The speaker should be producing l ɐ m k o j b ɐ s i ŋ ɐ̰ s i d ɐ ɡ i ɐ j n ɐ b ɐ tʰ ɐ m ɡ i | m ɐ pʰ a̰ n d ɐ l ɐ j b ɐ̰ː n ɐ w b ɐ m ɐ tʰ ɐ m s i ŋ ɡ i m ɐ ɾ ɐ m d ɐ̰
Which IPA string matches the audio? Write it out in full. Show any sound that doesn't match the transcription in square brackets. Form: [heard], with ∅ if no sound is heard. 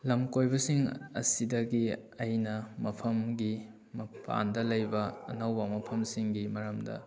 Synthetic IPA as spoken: l ɐ m k o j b ɐ s i ŋ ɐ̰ s i d ɐ ɡ i ɐ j n ɐ [m] ɐ [pʰ] ɐ m ɡ i | m ɐ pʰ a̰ n d ɐ l ɐ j b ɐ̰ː n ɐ w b ɐ m ɐ [pʰ] ɐ m s i ŋ ɡ i m ɐ ɾ ɐ m d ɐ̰